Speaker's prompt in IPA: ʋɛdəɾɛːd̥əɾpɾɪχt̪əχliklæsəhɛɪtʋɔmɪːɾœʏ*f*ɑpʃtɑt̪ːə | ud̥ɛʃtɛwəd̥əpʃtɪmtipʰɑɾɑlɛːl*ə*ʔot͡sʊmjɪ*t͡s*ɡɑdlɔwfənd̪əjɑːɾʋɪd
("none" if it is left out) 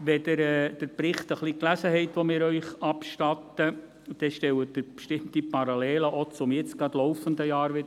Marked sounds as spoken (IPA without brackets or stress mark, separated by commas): χ, ə, t͡s